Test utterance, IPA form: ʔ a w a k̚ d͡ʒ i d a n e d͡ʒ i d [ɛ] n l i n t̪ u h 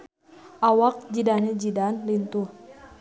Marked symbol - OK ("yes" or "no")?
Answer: no